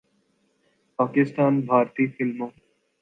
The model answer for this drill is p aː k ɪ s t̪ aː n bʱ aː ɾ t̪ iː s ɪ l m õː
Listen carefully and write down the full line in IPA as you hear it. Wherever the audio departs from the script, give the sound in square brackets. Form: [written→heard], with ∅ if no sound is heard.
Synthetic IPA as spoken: p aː k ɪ s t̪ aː n bʱ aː ɾ t̪ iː [s→f] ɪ l m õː

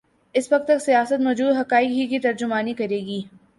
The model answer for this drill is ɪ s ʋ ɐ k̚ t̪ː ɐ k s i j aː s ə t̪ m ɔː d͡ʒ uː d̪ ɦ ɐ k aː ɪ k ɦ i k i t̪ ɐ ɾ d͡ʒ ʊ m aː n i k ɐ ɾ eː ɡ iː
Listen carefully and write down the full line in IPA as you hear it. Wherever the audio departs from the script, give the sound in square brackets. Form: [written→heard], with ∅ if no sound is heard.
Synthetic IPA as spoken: ɪ s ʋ ɐ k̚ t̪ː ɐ k s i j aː s ə t̪ m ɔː d͡ʒ uː d̪ ɦ ɐ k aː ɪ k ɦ i k i t̪ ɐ ɾ d͡ʒ ʊ m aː n i k ɐ ɾ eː ɡ iː

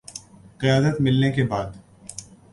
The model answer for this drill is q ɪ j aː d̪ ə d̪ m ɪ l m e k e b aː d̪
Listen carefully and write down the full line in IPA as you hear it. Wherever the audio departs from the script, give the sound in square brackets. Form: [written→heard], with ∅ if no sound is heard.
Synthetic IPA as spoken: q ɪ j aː d̪ ə [d̪→t̪] m ɪ l [m→n] e k e b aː d̪

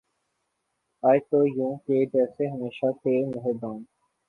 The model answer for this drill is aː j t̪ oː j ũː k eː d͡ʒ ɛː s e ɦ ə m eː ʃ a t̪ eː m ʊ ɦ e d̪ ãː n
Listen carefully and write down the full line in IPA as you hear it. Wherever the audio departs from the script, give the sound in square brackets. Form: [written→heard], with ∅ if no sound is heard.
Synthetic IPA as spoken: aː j t̪ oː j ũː k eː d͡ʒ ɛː s e ɦ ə m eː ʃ a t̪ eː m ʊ ɦ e d̪ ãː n

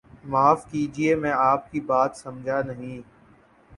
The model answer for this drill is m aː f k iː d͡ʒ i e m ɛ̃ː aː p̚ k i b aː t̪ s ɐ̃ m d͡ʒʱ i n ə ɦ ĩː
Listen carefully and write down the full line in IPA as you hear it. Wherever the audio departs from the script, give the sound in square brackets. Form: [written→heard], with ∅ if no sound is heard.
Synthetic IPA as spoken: m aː f k iː d͡ʒ i e m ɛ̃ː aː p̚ k i b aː t̪ s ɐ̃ m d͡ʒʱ [i→a] n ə ɦ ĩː

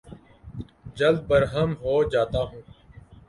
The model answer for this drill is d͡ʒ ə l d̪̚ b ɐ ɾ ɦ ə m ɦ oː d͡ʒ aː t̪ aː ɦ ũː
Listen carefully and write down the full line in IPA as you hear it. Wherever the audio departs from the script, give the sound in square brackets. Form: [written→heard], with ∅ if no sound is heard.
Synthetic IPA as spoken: d͡ʒ ə l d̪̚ b [ɐ→ə] ɾ ɦ ə m ɦ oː d͡ʒ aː t̪ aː ɦ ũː

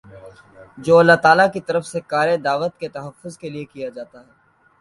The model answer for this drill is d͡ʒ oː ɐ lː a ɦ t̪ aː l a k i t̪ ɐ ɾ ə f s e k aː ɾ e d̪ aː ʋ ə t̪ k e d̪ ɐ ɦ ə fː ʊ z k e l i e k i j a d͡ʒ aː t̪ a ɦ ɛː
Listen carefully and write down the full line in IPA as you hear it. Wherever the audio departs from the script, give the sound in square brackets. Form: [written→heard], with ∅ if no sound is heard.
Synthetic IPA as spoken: d͡ʒ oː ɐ lː a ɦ t̪ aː l a k i t̪ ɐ ɾ ə f s e k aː ɾ e d̪ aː ʋ ə t̪ k e [d̪→t̪] ɐ ɦ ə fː ʊ z k e l i e k i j a d͡ʒ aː t̪ a ɦ ɛː

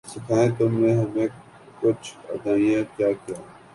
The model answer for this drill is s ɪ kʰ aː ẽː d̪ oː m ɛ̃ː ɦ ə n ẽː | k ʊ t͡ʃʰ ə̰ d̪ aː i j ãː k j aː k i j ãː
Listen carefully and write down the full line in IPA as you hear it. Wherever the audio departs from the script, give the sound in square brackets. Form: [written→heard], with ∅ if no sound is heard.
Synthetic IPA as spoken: s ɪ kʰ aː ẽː [d̪→t̪] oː m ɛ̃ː ɦ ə [n→m] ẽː | k ʊ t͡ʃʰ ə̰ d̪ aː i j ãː k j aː k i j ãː

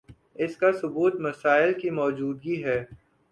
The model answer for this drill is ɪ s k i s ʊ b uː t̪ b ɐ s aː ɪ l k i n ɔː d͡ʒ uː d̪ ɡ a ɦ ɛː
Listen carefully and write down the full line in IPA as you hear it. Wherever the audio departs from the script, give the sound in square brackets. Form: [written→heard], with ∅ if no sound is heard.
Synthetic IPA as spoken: ɪ s k [i→a] s ʊ b uː t̪ [b→m] ɐ s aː ɪ l k i [n→m] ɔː d͡ʒ uː d̪ ɡ [a→i] ɦ ɛː

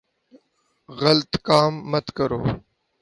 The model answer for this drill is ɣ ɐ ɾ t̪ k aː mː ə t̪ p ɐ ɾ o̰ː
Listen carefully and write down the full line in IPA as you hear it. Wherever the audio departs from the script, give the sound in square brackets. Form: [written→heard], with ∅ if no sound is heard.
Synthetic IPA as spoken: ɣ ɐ [ɾ→l] t̪ k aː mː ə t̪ [p→k] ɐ ɾ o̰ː

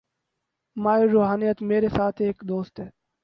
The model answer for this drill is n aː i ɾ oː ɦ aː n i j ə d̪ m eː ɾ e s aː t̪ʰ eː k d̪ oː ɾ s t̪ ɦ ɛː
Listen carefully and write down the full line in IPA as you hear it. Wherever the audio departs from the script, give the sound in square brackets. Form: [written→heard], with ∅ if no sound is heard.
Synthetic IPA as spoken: [n→m] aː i ɾ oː ɦ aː n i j ə [d̪→t̪] m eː ɾ e s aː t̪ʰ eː k d̪ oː [ɾ→∅] s t̪ ɦ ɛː

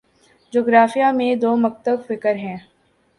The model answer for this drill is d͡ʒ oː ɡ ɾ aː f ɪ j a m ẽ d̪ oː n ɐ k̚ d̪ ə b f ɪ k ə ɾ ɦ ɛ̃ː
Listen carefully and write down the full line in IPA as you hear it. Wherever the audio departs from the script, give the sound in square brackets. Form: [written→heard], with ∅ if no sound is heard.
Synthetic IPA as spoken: d͡ʒ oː ɡ ɾ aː f [ɪ→i] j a m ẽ d̪ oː [n→m] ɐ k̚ [d̪→t̪] ə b f ɪ k ə ɾ ɦ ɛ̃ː

